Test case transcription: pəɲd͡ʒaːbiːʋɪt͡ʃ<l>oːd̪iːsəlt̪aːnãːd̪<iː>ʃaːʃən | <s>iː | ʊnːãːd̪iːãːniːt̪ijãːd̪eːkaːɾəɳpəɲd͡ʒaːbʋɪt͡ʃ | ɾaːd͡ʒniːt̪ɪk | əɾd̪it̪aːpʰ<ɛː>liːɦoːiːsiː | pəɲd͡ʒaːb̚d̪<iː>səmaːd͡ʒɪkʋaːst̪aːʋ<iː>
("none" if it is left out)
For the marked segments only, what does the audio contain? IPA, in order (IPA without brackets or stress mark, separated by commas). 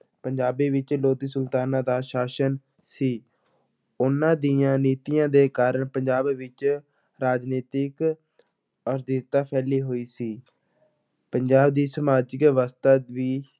l, aː, s, ɛː, iː, iː